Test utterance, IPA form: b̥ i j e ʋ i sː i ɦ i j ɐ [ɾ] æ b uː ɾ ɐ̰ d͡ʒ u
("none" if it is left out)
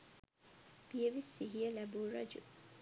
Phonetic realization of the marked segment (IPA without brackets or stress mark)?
l